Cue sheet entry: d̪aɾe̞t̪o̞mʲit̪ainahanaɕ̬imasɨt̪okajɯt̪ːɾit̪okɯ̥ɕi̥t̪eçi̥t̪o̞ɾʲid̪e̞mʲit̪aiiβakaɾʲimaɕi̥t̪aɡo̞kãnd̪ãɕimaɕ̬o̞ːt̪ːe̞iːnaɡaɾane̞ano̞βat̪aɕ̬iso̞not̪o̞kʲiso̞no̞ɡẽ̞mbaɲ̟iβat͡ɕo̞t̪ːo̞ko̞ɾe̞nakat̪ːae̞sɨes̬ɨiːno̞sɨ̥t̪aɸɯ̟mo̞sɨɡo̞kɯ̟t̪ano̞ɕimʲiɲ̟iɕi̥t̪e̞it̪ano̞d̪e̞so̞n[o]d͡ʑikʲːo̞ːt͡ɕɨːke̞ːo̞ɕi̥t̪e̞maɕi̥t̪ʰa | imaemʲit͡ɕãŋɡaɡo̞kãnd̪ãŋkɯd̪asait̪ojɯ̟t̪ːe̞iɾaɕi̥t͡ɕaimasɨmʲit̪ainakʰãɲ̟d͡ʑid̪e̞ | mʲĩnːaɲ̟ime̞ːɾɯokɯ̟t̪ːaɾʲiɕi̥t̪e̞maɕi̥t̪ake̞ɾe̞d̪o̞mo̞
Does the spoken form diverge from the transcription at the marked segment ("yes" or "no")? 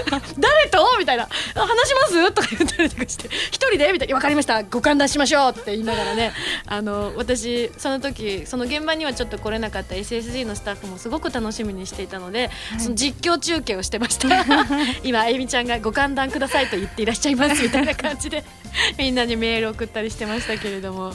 no